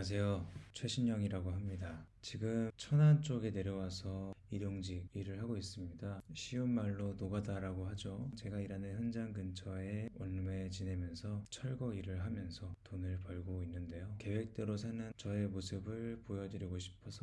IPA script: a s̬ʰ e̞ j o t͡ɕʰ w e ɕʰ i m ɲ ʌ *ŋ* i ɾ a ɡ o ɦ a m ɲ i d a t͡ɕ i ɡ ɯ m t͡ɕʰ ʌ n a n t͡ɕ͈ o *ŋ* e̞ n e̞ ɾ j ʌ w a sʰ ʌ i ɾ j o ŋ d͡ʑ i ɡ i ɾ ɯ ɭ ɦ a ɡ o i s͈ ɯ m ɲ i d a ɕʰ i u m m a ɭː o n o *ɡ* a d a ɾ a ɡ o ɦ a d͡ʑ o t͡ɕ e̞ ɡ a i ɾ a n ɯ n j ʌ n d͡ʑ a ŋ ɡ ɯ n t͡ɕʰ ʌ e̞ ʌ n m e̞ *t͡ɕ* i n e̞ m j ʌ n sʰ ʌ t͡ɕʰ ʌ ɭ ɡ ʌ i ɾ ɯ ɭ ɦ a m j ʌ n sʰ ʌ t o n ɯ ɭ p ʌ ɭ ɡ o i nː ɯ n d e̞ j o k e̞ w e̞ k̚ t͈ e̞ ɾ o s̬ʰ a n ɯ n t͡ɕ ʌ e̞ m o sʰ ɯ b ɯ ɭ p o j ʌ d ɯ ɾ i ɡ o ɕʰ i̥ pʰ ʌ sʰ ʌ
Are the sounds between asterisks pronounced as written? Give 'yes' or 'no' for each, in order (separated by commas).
yes, no, yes, yes